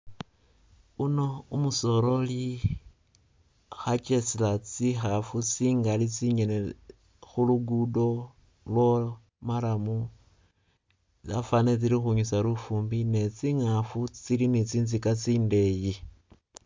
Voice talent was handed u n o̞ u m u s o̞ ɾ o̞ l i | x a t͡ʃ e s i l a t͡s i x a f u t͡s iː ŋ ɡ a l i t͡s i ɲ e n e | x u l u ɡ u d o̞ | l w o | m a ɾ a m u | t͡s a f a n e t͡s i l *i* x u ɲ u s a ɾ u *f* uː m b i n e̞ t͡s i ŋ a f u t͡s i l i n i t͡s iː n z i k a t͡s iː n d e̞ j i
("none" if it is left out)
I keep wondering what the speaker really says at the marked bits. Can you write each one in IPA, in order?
i, f

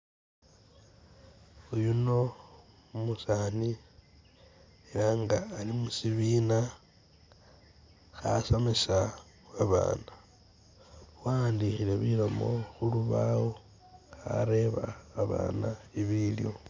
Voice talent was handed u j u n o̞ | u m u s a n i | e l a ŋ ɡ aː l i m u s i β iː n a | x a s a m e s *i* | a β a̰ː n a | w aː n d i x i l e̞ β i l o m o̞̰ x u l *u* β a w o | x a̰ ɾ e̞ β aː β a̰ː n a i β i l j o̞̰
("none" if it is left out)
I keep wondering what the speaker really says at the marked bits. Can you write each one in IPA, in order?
a, u

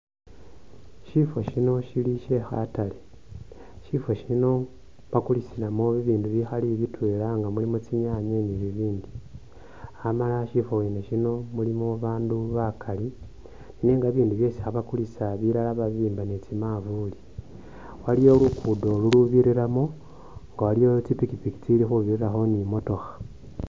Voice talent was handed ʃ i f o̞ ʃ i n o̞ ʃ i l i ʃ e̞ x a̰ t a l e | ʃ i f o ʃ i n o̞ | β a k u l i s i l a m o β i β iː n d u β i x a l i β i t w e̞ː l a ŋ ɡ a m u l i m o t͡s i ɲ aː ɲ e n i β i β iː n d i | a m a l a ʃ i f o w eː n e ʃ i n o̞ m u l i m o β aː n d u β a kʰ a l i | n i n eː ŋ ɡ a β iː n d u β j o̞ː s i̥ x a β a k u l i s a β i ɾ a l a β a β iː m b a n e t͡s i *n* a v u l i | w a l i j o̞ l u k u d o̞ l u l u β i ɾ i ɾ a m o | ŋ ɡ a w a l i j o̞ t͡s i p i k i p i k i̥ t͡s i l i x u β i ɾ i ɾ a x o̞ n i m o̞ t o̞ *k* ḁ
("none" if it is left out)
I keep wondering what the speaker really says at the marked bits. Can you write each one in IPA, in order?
m, x

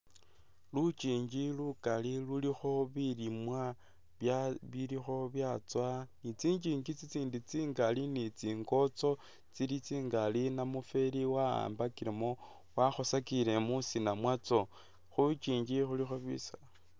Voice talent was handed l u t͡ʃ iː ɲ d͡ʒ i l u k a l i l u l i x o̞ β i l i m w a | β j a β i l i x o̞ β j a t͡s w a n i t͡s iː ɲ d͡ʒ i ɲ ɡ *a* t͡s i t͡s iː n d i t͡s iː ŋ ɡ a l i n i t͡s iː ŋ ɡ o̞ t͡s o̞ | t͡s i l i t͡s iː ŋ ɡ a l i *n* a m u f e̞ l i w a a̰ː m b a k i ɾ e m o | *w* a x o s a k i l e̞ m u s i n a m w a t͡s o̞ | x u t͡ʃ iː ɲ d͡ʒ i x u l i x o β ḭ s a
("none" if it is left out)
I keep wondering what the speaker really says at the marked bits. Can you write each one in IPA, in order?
i, n, w

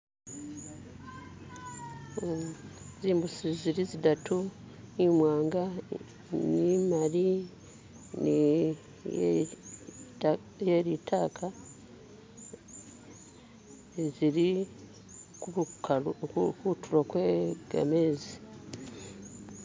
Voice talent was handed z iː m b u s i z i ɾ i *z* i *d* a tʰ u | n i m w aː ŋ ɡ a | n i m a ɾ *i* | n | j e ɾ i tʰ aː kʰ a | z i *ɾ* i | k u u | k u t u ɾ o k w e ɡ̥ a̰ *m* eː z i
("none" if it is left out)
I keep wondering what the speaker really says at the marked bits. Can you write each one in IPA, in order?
z, d, i, ɾ, m

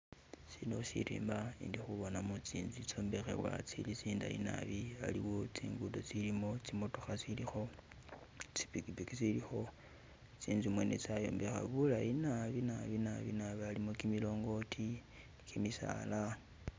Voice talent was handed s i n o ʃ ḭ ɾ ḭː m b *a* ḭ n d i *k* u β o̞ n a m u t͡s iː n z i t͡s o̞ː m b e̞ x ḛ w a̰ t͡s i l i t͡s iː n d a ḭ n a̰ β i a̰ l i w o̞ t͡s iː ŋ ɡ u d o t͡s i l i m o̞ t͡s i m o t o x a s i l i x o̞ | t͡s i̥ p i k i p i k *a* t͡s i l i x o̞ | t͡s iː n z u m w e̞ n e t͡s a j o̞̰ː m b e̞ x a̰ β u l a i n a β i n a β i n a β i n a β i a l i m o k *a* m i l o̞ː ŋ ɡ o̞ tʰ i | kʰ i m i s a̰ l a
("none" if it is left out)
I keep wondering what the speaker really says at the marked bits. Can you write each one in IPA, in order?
a, x, i, i

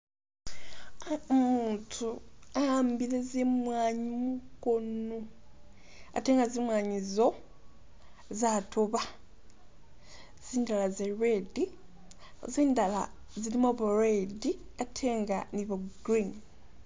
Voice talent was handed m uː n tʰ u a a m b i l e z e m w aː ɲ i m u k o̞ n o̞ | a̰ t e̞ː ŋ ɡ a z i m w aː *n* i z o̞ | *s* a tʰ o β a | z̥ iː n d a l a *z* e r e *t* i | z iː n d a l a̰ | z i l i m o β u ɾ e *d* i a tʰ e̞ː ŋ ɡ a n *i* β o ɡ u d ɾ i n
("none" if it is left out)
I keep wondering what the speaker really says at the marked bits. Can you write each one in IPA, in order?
ɲ, z, z, d, d, i

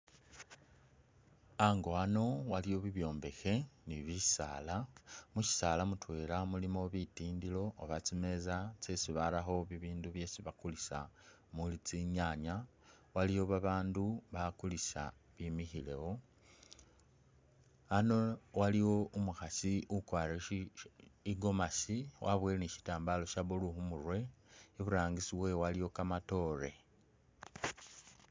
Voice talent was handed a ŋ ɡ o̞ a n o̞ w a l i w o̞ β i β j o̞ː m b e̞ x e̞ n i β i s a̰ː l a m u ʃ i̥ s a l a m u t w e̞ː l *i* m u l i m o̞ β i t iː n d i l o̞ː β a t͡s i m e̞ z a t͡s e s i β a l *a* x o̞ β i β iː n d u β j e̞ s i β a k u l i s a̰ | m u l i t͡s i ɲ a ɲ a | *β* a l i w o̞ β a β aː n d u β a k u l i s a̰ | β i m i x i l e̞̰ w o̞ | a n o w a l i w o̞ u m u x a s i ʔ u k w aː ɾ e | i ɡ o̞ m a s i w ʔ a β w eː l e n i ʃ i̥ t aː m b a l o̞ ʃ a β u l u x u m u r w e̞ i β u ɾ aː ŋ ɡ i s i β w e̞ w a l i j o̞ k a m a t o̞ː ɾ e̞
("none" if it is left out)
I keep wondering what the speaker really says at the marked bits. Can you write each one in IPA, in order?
a, a, w

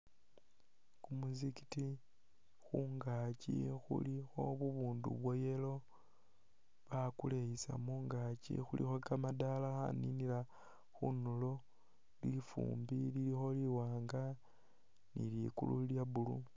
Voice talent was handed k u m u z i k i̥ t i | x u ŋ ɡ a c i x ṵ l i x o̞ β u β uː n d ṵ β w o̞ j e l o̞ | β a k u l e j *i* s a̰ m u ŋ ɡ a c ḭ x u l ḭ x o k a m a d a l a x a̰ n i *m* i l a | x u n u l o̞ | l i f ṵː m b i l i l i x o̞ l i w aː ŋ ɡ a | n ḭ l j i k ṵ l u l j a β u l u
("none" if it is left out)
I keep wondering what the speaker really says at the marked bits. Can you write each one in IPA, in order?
i, n

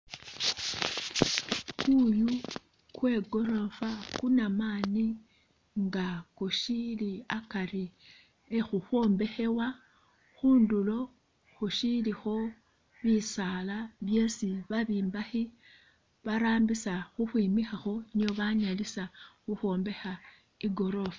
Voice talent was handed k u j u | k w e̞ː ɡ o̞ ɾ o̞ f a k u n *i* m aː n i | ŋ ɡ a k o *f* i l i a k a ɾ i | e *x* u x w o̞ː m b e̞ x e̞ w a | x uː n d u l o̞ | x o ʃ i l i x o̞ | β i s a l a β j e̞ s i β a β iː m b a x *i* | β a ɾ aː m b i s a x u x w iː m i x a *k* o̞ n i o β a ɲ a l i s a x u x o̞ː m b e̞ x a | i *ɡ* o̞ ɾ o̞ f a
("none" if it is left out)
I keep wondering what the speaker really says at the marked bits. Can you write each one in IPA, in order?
a, ʃ, x, i, x, ɡ

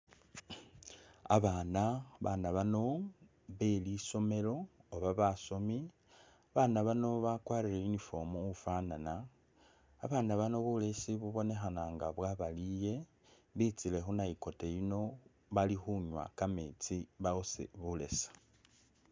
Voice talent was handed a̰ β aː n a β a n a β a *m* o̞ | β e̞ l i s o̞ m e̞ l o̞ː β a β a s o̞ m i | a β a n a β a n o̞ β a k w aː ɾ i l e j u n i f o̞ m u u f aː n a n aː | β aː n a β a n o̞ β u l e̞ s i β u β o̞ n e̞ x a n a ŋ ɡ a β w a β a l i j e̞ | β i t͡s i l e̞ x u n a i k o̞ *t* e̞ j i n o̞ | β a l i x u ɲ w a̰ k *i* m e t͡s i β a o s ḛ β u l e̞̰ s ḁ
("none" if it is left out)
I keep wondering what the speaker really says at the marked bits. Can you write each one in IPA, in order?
n, t, a

